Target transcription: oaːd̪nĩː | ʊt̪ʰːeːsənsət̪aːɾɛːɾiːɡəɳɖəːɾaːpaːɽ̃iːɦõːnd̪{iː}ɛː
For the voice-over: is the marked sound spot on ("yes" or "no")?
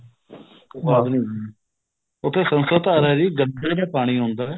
no